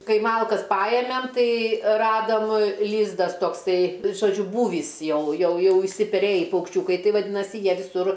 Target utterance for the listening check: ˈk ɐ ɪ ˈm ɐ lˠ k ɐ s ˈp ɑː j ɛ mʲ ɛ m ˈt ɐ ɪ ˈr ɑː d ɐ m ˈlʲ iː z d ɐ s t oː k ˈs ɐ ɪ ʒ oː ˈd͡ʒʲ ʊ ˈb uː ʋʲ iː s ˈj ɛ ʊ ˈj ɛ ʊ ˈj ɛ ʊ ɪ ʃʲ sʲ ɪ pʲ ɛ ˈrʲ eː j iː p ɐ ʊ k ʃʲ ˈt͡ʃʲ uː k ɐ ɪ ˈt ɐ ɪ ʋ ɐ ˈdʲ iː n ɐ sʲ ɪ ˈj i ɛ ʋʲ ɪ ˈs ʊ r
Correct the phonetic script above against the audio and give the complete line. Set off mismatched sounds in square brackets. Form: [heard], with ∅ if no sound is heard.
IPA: ˈk ɐ ɪ ˈm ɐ lˠ k ɐ s ˈp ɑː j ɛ mʲ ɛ m ˈt ɐ ɪ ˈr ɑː d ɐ m ˈlʲ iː z d ɐ s t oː k ˈs ɐ ɪ ʒ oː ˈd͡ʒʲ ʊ ˈb uː ʋʲ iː s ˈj ɛ ʊ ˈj ɛ ʊ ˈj ɛ ʊ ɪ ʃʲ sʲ ɪ pʲ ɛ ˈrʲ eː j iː p ɐ ʊ k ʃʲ ˈt͡ʃʲ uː k ɐ ɪ ˈt ɐ ɪ ʋ ɐ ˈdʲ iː n ɐ sʲ ɪ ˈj i ɛ ʋʲ ɪ ˈs ʊ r